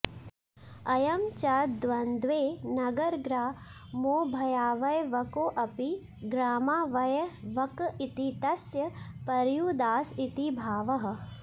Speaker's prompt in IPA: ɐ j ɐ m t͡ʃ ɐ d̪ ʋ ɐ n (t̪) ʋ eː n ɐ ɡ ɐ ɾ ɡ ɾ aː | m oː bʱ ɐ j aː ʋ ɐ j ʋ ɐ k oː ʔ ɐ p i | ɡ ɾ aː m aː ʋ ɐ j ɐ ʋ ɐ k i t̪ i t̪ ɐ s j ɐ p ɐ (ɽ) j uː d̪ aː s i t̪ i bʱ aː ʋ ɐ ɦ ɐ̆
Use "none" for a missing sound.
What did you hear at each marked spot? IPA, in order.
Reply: d̪, ɾ

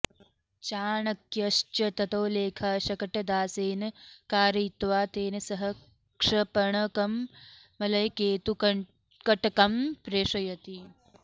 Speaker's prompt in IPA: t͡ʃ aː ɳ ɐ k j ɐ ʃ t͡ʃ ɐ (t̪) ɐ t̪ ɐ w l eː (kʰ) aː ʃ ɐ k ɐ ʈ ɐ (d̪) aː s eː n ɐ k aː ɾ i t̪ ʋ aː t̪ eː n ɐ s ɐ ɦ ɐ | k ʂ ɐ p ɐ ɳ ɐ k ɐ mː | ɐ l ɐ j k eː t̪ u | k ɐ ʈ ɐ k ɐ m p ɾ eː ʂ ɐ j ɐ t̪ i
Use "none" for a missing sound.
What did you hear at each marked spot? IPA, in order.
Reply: t̪, kʰ, d̪

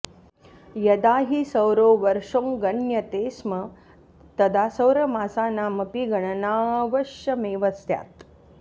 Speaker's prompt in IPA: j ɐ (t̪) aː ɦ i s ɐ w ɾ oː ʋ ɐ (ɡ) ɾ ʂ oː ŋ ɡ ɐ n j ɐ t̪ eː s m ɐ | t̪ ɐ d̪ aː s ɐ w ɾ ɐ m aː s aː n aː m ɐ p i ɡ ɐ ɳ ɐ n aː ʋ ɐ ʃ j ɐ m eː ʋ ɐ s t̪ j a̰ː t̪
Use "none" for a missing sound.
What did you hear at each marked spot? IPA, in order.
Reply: d̪, none

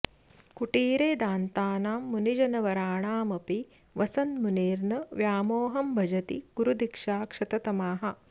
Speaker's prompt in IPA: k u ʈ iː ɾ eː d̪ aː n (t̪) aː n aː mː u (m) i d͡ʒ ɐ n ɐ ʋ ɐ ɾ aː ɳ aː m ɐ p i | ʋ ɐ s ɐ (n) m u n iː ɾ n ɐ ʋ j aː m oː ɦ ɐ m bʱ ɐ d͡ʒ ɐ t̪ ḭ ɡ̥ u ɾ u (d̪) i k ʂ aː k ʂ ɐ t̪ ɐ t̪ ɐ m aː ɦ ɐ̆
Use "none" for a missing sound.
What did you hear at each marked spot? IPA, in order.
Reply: t̪, n, n, d̪

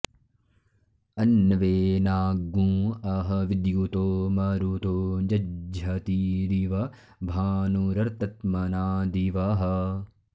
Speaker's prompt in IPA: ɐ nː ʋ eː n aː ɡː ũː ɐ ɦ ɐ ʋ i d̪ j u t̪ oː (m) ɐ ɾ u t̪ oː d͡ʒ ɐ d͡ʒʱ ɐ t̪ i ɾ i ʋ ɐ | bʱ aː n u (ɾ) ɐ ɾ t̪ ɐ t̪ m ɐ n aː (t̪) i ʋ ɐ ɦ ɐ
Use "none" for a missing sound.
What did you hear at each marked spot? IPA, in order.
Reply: m, ɾ, d̪

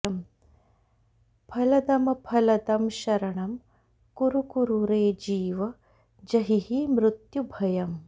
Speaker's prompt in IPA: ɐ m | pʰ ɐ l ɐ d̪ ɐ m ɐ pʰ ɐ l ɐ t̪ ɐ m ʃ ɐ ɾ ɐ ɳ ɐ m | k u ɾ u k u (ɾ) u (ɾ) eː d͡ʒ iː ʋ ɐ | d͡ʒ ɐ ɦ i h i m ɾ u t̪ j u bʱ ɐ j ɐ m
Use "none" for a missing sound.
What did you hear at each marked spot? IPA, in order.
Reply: ɾ, ɾ

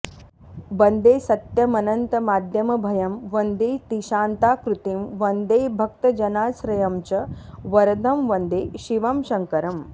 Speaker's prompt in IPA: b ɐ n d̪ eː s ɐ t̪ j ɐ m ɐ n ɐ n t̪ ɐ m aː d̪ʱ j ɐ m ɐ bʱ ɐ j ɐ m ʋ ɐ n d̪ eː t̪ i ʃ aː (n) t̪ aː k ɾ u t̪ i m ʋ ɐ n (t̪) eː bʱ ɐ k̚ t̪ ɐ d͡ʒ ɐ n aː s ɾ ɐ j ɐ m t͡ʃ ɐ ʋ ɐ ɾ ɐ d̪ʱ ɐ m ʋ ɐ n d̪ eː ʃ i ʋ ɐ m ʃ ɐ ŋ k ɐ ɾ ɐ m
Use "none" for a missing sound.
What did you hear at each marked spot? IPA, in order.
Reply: n, d̪

